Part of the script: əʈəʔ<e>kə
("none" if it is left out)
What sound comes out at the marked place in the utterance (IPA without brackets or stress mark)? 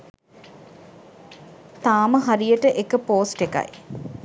e